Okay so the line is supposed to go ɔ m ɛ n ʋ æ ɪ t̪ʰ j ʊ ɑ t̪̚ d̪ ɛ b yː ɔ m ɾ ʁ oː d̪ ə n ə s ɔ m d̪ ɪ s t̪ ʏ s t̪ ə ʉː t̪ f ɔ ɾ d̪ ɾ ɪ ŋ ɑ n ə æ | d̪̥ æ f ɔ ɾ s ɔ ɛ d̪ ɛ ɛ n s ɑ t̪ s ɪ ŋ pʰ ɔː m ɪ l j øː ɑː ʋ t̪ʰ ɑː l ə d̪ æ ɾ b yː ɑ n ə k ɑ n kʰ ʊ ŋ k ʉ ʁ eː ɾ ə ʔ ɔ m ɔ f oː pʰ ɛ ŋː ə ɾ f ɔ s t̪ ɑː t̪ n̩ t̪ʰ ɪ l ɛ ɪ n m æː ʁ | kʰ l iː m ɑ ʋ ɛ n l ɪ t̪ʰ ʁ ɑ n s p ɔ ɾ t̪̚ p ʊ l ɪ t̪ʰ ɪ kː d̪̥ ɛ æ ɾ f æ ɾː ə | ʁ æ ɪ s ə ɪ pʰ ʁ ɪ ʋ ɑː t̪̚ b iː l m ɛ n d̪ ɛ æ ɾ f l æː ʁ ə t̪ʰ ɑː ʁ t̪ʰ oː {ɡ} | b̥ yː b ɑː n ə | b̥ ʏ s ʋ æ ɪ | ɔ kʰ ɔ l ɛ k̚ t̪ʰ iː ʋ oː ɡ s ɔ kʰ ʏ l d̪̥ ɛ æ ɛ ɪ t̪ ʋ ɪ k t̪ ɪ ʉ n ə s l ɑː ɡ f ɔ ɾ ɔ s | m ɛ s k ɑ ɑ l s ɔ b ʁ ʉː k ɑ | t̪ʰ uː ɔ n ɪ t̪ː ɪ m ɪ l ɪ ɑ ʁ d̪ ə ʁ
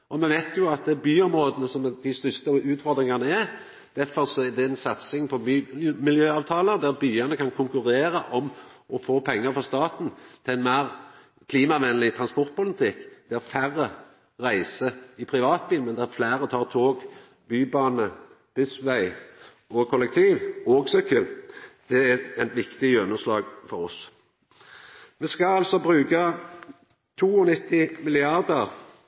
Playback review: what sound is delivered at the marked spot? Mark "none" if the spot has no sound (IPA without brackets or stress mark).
ɡ